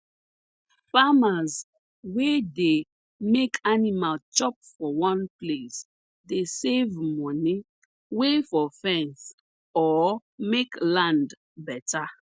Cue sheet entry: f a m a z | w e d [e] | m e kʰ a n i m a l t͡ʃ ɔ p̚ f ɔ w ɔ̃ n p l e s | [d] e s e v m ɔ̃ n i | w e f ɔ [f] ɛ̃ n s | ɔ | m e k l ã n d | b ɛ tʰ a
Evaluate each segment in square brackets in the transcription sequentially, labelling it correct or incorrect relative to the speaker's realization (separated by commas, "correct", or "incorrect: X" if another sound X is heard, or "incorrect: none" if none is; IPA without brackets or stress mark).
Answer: correct, correct, correct